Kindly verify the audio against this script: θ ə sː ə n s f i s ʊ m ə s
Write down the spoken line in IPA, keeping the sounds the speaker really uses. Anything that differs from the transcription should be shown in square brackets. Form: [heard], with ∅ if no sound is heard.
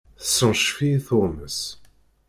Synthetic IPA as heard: θ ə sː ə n [ʃ] f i [θ] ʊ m ə s